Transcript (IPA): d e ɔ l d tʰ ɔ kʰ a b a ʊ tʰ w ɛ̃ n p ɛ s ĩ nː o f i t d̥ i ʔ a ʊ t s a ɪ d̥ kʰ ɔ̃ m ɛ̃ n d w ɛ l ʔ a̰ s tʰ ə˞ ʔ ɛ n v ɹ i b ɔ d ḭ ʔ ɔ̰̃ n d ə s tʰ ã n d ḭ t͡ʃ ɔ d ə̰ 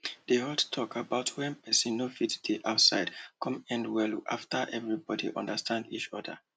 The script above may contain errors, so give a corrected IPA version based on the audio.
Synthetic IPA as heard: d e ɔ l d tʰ ɔ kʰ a b a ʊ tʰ w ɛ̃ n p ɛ s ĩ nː o f i t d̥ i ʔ a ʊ t s a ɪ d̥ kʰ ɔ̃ m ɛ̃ n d w ɛ l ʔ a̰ f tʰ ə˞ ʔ ɛ v ɹ i b ɔ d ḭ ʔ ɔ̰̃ n d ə s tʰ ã n d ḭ t͡ʃ ɔ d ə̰